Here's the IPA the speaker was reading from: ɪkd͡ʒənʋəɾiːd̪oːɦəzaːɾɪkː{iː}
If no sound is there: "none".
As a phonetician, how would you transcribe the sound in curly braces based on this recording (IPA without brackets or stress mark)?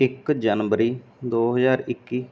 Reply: iː